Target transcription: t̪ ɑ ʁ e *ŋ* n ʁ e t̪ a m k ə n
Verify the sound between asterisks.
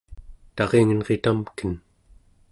correct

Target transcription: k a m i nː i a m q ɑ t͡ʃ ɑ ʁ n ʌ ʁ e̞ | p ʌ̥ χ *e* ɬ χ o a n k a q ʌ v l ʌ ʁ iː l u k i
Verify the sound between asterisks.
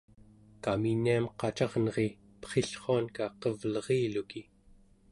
correct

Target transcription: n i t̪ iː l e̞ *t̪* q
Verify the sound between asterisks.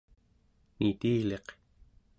incorrect: none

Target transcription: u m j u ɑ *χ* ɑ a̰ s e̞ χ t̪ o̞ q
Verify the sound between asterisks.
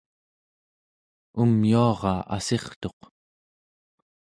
incorrect: ʁ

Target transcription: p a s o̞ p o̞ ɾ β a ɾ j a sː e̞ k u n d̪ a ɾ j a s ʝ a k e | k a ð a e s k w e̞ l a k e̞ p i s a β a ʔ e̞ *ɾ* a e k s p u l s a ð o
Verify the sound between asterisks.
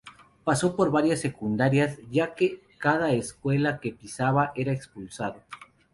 correct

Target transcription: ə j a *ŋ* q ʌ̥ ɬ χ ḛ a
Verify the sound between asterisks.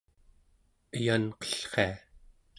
incorrect: n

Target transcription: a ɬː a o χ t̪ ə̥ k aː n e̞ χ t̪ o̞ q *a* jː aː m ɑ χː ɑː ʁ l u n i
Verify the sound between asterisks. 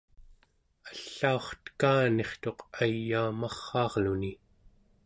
correct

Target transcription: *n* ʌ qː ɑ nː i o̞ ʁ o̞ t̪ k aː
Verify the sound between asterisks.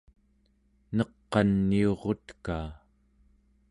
correct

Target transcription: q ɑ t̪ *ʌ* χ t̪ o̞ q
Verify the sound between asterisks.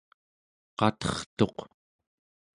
correct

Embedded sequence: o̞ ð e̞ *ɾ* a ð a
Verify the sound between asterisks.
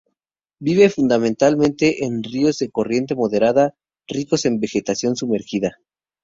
correct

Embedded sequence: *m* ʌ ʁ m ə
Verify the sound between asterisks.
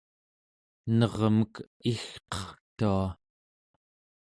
incorrect: n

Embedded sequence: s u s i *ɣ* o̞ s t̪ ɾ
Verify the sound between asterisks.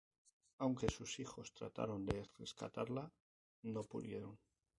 incorrect: x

